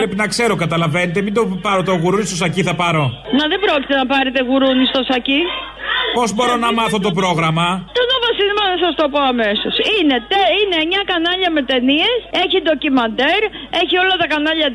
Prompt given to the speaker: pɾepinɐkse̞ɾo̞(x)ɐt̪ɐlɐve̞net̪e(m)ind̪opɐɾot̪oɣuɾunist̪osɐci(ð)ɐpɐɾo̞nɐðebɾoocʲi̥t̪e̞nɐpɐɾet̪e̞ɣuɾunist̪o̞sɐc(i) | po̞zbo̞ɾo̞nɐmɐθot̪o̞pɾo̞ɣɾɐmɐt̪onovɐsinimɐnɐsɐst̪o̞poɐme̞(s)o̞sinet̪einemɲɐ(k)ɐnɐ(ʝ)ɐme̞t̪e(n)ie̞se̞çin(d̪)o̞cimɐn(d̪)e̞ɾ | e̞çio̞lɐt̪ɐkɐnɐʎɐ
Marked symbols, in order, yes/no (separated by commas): no, yes, no, yes, yes, yes, no, yes, yes, yes